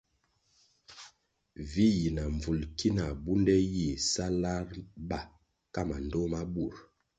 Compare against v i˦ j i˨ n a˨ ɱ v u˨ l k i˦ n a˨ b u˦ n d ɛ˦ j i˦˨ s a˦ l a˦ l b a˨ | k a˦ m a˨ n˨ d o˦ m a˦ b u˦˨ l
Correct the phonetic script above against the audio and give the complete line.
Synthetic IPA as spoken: v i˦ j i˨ n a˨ ɱ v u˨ l k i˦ n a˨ b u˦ n d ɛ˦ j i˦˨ s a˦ l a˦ ɾ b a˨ | k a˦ m a˨ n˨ d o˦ m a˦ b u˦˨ ɾ